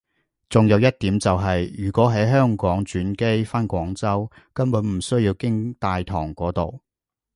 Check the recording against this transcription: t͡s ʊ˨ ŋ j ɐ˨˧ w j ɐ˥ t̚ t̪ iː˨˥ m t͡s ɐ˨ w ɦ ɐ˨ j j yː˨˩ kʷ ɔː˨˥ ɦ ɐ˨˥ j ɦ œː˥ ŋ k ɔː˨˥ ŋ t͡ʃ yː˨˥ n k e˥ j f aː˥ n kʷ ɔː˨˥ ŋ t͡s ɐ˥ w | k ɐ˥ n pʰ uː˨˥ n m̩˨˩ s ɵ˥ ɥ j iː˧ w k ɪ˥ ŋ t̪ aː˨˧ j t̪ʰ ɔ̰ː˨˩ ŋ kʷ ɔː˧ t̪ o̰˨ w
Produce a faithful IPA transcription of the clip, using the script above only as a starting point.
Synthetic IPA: t͡s ʊ˨ ŋ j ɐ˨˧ w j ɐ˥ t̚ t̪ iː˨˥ m t͡s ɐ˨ w ɦ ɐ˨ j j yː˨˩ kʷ ɔː˨˥ ɦ ɐ˨˥ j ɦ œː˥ ŋ k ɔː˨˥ ŋ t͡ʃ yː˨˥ n k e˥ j f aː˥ n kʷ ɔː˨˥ ŋ t͡s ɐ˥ w | k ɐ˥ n p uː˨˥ n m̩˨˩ s ɵ˥ ɥ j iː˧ w k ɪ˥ ŋ t̪ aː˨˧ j t̪ʰ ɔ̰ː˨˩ ŋ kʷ ɔː˨˥ t̪ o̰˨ w